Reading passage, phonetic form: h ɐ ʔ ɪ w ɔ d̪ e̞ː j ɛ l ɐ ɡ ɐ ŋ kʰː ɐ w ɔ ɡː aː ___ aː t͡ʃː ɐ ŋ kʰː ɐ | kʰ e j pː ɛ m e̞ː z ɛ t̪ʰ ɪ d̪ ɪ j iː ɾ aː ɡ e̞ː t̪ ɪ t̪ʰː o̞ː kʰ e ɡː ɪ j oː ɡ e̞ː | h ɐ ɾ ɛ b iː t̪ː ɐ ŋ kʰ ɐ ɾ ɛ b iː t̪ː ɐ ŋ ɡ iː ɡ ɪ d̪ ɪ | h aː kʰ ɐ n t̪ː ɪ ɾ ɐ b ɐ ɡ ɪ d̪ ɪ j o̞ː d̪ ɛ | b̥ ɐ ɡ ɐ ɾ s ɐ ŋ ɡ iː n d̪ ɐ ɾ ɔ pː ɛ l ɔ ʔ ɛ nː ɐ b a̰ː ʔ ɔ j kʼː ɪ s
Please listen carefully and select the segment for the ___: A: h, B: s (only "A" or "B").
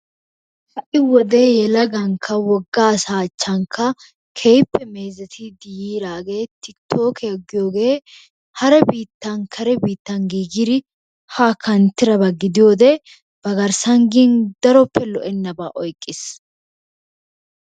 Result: B